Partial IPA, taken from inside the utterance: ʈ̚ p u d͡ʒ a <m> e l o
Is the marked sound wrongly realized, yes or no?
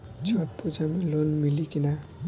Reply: no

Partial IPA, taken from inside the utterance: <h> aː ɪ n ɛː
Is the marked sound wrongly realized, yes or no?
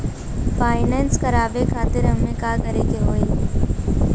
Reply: yes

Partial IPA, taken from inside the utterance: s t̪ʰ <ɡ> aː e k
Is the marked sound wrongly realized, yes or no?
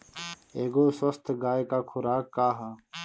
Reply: no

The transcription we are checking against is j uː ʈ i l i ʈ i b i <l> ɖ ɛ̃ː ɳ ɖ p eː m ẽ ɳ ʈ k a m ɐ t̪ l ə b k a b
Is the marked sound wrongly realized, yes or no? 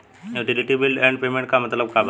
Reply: no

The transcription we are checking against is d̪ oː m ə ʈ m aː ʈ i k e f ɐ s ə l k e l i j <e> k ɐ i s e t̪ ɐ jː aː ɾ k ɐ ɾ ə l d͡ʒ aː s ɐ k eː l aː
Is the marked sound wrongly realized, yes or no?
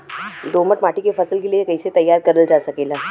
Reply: no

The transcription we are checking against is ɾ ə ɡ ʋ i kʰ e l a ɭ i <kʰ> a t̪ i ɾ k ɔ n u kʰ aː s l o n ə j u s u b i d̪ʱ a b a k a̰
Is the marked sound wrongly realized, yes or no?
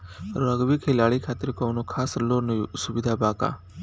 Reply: no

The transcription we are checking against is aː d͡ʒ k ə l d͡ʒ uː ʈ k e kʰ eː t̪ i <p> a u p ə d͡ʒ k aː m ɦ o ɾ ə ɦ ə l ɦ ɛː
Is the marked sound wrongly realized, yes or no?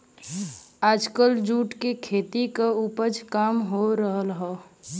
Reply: yes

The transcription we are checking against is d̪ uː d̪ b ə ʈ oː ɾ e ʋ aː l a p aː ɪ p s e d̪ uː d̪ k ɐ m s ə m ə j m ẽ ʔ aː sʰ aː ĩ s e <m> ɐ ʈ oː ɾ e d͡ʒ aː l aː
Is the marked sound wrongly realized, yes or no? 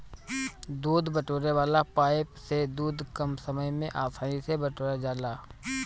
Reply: yes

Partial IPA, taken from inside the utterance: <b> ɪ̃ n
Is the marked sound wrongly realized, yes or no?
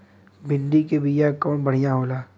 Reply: no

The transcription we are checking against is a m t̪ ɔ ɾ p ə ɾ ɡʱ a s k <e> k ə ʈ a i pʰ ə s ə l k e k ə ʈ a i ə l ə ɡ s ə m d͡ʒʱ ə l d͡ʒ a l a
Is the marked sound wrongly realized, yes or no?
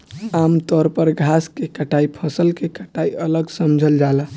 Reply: no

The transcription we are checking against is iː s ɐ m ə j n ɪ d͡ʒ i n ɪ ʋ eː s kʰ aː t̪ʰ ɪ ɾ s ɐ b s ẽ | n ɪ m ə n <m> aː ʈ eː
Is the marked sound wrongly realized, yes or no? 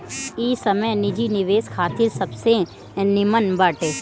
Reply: yes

